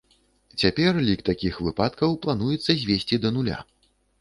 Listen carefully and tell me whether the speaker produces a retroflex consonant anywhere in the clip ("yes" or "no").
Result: no